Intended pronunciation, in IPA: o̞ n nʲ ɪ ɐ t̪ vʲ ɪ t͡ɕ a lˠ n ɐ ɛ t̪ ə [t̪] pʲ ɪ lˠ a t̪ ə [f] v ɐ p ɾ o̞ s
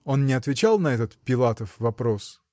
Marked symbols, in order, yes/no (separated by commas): yes, yes